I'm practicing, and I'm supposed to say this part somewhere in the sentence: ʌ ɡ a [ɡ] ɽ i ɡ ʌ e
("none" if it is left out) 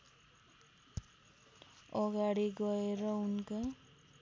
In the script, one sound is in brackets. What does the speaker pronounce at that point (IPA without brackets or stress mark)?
none